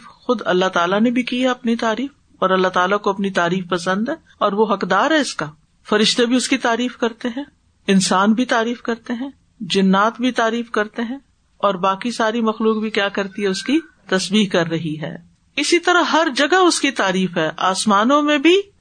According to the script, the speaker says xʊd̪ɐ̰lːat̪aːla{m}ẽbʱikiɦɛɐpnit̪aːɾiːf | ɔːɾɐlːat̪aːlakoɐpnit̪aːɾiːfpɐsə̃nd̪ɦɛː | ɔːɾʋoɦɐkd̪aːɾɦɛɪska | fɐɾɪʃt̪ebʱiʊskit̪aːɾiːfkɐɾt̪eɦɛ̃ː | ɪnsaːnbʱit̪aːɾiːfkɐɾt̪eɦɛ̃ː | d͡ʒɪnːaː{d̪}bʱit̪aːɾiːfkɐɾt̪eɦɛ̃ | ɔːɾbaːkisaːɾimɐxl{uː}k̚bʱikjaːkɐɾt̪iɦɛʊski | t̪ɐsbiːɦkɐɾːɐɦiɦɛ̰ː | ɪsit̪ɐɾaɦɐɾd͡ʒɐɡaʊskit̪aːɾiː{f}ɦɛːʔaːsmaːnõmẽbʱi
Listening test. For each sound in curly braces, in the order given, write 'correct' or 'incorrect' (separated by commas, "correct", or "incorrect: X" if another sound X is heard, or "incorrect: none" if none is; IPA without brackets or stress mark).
incorrect: n, incorrect: t̪, correct, correct